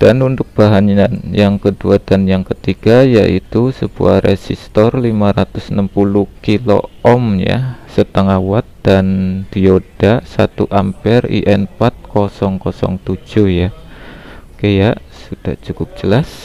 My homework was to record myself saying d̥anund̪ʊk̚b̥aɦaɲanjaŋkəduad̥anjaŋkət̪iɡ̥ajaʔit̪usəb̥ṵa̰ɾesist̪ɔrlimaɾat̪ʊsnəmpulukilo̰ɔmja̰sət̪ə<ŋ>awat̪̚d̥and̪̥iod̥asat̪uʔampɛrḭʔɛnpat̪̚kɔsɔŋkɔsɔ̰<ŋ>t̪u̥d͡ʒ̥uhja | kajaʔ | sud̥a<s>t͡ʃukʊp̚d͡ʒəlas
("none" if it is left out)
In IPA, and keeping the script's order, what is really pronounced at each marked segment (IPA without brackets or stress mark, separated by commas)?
ŋ, ŋ, h